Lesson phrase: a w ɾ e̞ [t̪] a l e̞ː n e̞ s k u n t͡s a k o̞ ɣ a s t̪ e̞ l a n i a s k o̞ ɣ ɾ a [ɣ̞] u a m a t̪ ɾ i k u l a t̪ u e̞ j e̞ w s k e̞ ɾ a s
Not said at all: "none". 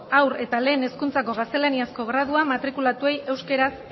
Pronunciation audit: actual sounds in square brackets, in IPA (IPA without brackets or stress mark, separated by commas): t̪, ð̞